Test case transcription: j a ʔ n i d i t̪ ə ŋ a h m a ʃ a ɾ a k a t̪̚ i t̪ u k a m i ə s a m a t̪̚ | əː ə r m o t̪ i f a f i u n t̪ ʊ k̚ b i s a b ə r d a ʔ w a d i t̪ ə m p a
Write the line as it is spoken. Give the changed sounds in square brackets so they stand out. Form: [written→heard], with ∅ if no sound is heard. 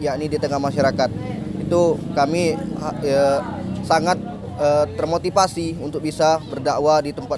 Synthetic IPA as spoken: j a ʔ n i d i t̪ ə ŋ a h m a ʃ a ɾ a k a t̪̚ i t̪ u k a m i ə s a [m→ŋ] a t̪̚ | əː ə r m o t̪ i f a [f→s] i u n t̪ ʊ k̚ b i s a b ə r d a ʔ w a d i t̪ ə m p a